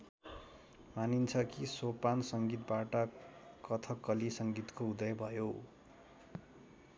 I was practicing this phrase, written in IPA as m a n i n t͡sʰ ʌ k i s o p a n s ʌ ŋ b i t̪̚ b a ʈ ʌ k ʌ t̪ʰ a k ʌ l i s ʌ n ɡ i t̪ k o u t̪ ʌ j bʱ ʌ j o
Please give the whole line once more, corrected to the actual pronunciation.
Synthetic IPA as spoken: m a n i n t͡sʰ ʌ k i s o p a n s ʌ ŋ ɡ i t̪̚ b a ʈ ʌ k ʌ t̪ʰ ʌ k ʌ l i s ʌ ŋ ɡ i t̪ k o u d̪ ʌ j bʱ ʌ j o

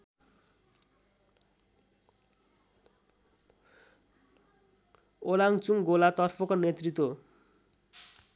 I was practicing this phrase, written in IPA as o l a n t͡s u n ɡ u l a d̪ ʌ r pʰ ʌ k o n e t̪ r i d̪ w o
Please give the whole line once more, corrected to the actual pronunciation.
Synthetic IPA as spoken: o l a ŋ t͡s u ŋ ɡ o l a t̪ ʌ r pʰ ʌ k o n e t̪ r i t̪ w o

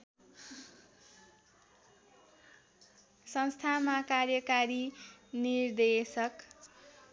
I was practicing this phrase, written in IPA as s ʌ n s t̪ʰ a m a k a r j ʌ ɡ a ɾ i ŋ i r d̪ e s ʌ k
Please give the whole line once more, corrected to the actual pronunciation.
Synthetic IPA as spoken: s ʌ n s t̪ʰ a m a k a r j ʌ k a ɾ i n i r d̪ e s ʌ k

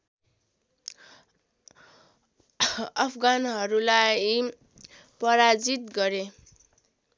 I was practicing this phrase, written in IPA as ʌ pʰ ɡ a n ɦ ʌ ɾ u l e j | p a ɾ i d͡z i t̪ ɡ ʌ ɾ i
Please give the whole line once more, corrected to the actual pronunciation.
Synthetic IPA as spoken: ʌ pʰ ɡ a n ɦ ʌ ɾ u l a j | p ʌ ɾ a d͡z i t̪ ɡ ʌ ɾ e

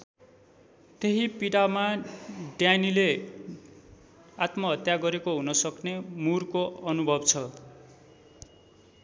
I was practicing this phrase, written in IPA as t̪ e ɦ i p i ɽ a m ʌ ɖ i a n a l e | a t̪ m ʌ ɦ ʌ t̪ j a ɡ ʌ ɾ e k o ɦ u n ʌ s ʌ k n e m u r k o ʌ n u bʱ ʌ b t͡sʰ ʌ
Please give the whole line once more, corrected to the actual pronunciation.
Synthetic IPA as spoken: t̪ e ɦ i p i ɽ a m a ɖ j a n i l e | a t̪ m ʌ ɦ ʌ t̪ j a ɡ ʌ ɾ e k o ɦ u n ʌ s ʌ k n e m u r k o ʌ n u bʱ ʌ b t͡sʰ ʌ

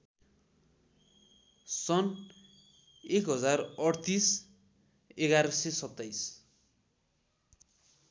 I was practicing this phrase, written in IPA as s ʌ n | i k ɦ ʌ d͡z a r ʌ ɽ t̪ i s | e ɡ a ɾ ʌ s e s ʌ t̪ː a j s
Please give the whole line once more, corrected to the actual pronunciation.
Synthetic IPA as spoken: s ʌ n | e k ɦ ʌ d͡z a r ʌ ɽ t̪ i s | e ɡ a ɾ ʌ s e s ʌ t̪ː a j s

